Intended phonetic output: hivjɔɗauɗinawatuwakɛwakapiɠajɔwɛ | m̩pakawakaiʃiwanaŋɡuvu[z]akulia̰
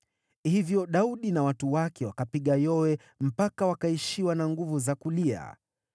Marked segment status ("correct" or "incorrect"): correct